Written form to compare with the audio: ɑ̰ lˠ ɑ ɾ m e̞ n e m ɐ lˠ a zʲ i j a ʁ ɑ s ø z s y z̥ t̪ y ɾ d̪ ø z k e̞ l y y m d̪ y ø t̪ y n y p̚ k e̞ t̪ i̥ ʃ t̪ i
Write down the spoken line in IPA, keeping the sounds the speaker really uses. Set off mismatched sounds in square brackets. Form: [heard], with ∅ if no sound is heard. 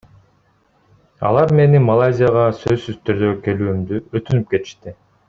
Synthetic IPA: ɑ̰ lˠ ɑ ɾ m e̞ n [i] m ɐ lˠ a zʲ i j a ʁ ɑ s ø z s y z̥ t̪ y ɾ d̪ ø [∅] k e̞ l [yː] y m d̪ y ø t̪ y n y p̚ k e̞ t̪ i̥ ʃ t̪ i